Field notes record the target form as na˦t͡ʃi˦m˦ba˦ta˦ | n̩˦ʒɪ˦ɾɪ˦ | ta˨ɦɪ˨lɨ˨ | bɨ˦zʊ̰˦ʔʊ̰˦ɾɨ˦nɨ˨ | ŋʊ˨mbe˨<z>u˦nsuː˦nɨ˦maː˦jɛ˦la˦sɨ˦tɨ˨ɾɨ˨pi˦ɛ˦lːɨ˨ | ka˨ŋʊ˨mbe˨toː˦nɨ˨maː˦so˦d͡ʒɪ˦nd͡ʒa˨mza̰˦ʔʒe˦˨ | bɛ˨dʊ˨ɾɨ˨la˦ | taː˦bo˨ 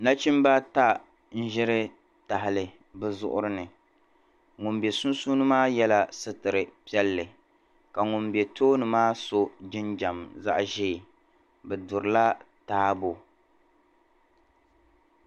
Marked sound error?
yes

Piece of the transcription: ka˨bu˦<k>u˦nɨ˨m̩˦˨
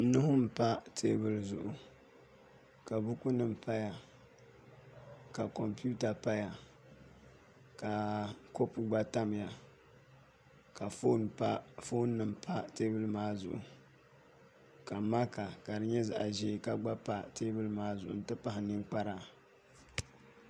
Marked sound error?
no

